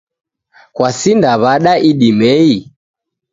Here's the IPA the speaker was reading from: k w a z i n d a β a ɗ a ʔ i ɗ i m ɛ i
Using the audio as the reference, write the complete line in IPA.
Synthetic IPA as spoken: k w a s i n d a β a ɗ a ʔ i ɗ i m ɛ i